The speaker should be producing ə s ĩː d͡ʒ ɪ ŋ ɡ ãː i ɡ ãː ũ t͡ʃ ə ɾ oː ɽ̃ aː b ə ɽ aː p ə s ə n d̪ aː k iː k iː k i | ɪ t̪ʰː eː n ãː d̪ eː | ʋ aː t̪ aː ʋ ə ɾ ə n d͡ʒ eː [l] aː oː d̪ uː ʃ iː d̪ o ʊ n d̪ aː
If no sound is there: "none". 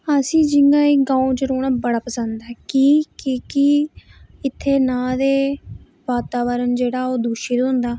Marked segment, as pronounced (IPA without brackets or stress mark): ɽ